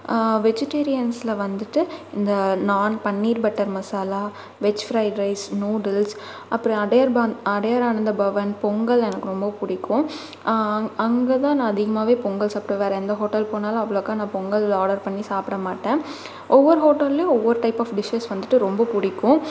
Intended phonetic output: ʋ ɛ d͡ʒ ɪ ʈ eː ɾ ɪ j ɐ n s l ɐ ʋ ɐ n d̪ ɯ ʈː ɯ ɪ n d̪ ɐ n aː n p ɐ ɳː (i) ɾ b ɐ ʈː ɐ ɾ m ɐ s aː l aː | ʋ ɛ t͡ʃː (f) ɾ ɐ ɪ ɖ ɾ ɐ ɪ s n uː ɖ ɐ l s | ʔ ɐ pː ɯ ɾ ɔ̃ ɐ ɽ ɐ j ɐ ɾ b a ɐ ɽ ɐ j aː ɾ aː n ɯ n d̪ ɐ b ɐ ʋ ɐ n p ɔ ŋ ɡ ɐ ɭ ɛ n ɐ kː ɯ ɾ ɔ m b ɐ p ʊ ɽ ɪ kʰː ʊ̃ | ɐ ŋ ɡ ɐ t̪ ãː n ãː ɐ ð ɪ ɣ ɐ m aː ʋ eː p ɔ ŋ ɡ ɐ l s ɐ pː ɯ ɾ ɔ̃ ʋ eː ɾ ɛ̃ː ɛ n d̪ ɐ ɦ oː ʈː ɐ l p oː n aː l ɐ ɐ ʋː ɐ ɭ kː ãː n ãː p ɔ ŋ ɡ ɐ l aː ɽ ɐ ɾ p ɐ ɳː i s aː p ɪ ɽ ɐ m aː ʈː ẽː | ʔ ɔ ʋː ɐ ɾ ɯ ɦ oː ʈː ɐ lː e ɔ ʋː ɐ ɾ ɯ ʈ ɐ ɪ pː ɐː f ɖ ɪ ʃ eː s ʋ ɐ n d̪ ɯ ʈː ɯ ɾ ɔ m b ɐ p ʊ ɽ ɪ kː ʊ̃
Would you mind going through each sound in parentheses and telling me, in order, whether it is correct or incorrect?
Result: incorrect: iː, correct

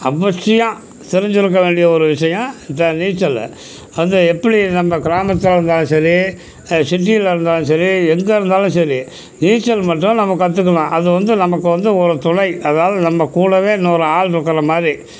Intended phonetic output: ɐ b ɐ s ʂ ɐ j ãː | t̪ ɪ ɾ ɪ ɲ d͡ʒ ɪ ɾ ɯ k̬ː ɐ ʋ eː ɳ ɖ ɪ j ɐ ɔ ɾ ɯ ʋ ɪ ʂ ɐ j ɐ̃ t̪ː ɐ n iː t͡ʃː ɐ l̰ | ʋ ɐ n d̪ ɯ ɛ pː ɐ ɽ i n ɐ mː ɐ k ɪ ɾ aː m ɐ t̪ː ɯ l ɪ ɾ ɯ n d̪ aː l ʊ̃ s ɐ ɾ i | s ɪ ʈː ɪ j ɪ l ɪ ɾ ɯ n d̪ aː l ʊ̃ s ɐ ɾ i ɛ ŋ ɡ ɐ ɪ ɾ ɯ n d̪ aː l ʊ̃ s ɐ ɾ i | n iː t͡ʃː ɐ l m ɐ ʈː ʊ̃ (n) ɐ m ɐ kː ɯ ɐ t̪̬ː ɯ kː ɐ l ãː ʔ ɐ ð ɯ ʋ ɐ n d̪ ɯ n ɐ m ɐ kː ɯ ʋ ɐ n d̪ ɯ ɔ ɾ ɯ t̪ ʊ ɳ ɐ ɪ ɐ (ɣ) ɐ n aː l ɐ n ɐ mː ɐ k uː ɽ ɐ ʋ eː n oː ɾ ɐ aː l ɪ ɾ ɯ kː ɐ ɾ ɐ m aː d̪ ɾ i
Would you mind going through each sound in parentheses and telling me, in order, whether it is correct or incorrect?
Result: correct, incorrect: ð

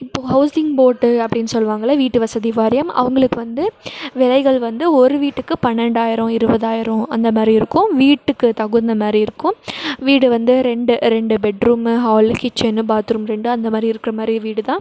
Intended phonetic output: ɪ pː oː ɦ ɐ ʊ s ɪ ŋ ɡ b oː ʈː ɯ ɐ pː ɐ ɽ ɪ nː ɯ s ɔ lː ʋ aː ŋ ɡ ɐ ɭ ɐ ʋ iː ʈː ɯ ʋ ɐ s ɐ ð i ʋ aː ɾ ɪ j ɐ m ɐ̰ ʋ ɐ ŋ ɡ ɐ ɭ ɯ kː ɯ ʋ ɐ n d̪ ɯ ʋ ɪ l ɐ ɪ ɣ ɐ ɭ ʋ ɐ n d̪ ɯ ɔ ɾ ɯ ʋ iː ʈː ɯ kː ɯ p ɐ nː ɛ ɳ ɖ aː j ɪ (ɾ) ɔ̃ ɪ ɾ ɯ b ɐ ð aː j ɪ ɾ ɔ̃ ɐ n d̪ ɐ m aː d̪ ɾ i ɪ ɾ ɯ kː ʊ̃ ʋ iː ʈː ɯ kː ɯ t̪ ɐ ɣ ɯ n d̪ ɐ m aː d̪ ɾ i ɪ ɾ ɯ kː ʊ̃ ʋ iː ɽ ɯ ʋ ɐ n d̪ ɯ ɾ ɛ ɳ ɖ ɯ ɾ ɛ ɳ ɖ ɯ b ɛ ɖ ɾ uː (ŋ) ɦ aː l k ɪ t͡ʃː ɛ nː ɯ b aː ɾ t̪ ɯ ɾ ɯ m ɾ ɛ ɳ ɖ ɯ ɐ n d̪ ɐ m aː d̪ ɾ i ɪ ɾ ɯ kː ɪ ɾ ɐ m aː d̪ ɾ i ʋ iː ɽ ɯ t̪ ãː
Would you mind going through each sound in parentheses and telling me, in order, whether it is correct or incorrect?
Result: correct, incorrect: m

